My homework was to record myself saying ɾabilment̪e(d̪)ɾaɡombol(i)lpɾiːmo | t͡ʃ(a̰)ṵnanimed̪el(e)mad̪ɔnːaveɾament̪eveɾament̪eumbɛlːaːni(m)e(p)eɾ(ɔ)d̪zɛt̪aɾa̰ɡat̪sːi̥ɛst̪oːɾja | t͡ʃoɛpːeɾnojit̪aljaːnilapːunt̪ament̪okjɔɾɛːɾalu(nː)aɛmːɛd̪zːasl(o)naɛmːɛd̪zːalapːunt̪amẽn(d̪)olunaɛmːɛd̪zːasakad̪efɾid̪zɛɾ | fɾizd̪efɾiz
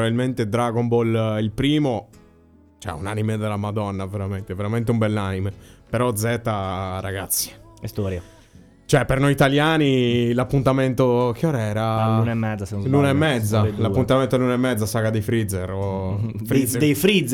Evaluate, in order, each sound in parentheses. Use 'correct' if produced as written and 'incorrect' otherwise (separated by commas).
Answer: correct, correct, incorrect, incorrect, correct, correct, correct, incorrect, incorrect, incorrect